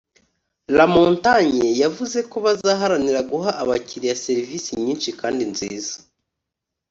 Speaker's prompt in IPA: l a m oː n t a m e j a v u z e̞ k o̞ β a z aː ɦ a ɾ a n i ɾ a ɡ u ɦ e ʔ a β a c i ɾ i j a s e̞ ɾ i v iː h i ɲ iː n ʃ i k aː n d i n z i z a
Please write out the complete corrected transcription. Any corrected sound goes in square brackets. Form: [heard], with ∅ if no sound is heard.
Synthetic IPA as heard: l a m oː n t a [ɲ] e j a v u z e̞ k o̞ β a z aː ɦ a ɾ a n i ɾ a ɡ u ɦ [a] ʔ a β a c i ɾ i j a s e̞ ɾ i v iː [s] i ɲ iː n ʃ i k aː n d i n z [iː] z a